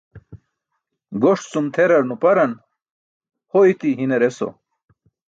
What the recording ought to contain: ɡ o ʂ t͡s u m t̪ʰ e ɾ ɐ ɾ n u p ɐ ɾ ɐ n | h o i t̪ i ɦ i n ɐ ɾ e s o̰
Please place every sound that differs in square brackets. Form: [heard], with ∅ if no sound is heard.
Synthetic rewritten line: ɡ o ʂ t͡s u m t̪ʰ e ɾ ɐ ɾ n u p ɐ ɾ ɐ n | h o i t̪ i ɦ i n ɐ ɾ e s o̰